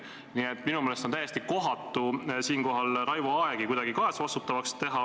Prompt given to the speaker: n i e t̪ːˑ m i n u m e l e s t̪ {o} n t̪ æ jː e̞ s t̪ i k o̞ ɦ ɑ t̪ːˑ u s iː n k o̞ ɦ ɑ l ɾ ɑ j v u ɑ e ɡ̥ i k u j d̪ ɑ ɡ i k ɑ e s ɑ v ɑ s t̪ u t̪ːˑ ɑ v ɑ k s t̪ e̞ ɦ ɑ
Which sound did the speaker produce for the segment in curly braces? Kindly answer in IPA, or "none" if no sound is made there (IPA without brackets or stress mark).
o